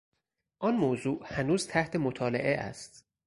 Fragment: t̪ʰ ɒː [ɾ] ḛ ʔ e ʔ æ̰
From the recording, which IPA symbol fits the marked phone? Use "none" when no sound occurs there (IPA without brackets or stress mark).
l